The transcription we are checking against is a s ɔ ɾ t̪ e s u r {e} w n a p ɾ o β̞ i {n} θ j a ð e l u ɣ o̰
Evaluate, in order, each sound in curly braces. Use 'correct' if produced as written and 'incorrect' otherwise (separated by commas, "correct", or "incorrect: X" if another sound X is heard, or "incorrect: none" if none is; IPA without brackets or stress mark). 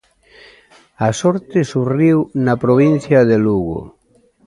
incorrect: i, correct